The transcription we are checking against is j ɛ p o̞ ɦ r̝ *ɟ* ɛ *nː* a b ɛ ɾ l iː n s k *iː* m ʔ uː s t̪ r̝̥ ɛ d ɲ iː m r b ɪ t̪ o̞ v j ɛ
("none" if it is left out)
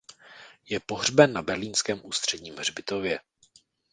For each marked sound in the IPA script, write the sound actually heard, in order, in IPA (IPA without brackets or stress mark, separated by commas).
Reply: b, nː, ɛː